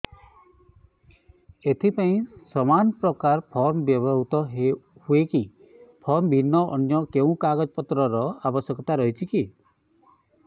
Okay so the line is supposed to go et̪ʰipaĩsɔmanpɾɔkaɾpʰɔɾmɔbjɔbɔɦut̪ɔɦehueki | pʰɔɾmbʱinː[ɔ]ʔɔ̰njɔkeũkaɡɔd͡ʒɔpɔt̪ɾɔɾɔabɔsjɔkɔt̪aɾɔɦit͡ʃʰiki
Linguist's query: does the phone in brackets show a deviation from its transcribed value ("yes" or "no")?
no